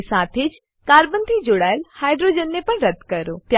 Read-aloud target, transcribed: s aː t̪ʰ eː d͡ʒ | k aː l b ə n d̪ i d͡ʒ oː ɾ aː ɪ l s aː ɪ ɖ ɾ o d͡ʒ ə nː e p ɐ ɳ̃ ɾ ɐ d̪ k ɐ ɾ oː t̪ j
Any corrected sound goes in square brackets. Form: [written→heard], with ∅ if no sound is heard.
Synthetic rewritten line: s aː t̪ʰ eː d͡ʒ | k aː [l→ɾ] b ə n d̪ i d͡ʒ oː [ɾ→ɽ] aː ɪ l [s→h] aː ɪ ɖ ɾ o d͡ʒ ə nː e p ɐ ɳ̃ ɾ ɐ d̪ k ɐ ɾ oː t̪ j